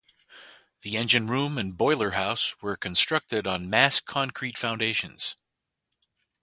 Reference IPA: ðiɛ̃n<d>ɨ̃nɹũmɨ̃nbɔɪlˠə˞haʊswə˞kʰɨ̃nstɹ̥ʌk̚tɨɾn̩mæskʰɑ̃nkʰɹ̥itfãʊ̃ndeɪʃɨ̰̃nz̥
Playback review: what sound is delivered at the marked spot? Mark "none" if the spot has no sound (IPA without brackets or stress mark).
d͡ʒ